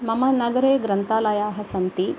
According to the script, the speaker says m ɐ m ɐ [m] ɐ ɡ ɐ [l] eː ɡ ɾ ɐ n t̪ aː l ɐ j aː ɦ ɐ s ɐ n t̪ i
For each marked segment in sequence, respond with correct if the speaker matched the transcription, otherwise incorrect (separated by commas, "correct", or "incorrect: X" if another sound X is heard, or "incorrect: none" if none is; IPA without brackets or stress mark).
incorrect: n, incorrect: ɾ